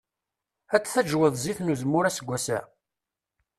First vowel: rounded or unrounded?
unrounded